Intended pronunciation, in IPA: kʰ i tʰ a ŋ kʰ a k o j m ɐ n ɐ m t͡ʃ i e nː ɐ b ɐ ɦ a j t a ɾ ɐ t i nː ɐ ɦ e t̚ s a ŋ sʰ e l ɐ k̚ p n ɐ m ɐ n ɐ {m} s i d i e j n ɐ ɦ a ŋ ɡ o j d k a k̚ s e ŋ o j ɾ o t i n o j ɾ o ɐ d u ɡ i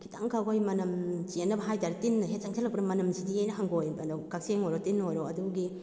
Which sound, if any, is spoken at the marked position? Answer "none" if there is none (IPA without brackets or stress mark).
m